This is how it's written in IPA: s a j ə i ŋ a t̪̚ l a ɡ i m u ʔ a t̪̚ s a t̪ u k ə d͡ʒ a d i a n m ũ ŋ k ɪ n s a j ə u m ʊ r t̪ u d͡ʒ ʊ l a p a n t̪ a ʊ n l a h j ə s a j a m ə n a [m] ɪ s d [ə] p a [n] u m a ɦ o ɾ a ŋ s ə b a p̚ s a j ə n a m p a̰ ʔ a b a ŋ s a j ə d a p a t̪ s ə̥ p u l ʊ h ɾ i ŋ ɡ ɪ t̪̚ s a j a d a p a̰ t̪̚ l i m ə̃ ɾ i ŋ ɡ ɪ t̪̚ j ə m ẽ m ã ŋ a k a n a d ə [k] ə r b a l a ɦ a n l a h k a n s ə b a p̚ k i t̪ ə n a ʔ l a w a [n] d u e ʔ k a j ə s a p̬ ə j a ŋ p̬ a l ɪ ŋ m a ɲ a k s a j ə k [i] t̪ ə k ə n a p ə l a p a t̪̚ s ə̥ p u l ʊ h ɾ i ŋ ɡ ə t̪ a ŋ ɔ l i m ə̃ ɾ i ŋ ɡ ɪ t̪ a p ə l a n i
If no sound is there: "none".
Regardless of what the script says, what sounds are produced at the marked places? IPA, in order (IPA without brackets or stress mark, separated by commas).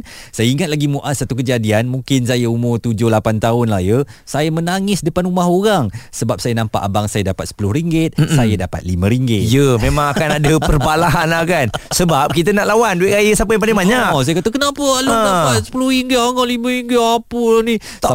ŋ, ə, n, p, n, a